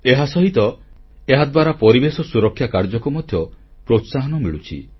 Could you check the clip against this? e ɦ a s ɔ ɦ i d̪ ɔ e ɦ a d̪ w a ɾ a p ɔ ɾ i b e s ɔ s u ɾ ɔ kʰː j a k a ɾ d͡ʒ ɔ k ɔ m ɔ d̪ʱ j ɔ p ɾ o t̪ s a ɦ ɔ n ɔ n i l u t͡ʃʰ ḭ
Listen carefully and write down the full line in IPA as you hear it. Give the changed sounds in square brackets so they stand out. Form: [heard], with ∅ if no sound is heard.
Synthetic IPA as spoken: e ɦ a s ɔ ɦ i [t̪] ɔ e ɦ a d̪ w a ɾ a p ɔ ɾ i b e s ɔ s u ɾ ɔ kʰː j a k a ɾ d͡ʒ ɔ k ɔ m ɔ d̪ʱ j ɔ p ɾ o t̪ s a ɦ ɔ n ɔ [m] i [ɭ] u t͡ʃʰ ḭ